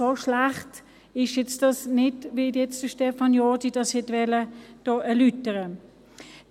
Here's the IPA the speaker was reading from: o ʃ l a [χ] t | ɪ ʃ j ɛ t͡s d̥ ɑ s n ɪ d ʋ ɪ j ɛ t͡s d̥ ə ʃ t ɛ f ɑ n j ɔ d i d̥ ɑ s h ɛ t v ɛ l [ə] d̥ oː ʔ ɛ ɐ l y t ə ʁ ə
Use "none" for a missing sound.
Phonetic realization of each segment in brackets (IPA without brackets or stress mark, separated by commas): χ, ə